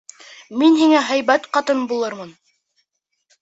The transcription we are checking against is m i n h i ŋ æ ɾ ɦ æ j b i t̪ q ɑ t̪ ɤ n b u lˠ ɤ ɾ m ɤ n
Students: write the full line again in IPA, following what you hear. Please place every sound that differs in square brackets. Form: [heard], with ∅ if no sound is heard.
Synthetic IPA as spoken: m i n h i ŋ æ [∅] ɦ æ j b [æ] t̪ q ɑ t̪ ɤ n b u lˠ ɤ ɾ m ɤ n